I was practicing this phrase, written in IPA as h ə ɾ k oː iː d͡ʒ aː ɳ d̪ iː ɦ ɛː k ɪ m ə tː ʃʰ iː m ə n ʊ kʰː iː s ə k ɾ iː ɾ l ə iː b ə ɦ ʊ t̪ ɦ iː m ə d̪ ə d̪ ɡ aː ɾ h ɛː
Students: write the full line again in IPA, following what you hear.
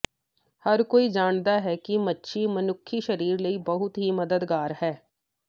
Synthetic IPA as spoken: h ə ɾ k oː iː d͡ʒ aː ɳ d̪ aː ɦ ɛː k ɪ m ə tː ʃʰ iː m ə n ʊ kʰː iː ʃ ə ɾ iː ɾ l ə iː b ə ɦ ʊ t̪ ɦ iː m ə d̪ ə d̪ ɡ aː ɾ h ɛː